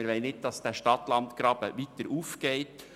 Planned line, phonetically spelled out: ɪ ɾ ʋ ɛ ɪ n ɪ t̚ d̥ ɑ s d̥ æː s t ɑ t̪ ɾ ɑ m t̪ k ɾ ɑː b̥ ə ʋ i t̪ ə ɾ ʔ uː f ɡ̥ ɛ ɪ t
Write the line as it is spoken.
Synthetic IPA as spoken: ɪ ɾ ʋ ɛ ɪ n ɪ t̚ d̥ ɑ s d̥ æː ʃ t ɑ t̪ l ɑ n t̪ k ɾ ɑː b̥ ə ʋ i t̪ ə ɾ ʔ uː f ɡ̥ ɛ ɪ t